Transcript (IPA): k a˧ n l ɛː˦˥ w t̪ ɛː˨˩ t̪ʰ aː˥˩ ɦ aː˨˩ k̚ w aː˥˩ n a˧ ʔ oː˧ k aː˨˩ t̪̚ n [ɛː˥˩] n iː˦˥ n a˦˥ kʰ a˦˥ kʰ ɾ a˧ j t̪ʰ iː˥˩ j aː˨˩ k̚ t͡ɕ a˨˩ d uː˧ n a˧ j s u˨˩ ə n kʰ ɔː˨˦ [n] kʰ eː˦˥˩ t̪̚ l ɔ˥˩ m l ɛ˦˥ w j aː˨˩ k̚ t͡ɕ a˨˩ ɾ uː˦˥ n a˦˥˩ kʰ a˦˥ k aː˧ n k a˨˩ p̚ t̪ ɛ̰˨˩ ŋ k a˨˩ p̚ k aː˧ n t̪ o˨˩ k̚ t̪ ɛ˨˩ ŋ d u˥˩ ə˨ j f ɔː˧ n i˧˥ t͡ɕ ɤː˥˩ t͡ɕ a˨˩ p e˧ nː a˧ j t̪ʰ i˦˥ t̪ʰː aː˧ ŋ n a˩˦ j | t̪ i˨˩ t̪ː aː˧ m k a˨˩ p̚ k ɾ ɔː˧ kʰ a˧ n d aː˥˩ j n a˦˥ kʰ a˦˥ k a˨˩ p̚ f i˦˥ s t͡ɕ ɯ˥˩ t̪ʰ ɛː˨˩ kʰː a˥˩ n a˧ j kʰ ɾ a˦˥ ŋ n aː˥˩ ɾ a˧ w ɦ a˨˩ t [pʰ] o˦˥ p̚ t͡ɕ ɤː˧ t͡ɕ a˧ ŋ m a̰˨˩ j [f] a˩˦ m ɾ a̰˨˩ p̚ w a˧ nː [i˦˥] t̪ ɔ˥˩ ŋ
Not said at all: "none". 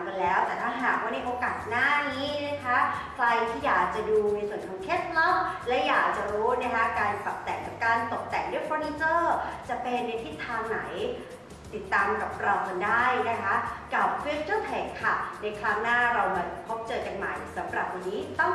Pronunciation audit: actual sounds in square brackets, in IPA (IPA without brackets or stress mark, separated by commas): aː˥˩, ŋ, pʰ, s, iː˦˥